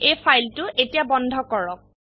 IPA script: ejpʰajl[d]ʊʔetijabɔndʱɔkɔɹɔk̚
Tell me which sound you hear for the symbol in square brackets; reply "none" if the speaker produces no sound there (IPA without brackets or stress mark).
t